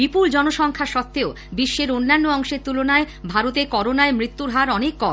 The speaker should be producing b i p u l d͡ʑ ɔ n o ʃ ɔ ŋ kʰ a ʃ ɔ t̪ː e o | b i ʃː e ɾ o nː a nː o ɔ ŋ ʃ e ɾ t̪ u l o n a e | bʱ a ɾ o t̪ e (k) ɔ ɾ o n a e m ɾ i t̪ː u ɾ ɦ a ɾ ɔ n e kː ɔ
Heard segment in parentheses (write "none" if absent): k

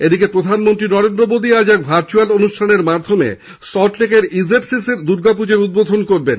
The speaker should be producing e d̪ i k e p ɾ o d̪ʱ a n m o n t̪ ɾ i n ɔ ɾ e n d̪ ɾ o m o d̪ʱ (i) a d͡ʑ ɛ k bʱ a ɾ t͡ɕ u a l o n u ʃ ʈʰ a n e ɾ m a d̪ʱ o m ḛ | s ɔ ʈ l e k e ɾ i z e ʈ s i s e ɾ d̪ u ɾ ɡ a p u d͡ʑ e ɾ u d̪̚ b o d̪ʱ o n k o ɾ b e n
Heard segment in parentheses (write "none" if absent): i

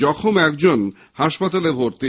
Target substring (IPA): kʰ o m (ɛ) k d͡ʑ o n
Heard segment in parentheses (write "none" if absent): ɛ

